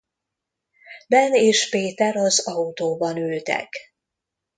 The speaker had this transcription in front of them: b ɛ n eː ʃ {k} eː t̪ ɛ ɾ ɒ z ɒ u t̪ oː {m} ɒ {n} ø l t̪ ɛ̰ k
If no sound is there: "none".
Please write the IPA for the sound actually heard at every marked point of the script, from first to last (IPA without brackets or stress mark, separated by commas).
p, b, n